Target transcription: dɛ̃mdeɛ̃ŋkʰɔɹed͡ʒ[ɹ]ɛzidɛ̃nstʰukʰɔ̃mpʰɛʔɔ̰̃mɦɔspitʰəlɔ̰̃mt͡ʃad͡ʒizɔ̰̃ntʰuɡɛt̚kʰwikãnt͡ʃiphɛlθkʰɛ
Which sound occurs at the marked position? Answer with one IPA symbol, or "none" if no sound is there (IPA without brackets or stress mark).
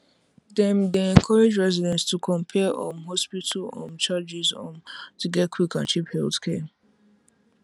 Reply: ɹ